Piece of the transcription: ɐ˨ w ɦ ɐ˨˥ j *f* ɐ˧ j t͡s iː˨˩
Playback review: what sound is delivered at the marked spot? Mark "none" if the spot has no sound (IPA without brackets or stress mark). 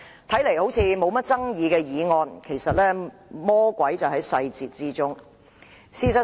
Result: s